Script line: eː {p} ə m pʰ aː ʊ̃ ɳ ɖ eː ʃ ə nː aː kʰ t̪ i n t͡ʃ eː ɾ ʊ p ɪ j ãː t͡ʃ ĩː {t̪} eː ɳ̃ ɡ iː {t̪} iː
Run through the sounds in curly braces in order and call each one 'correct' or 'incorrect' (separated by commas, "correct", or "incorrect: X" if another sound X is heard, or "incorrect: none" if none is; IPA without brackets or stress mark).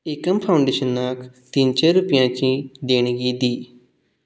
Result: incorrect: k, incorrect: d̪, incorrect: d̪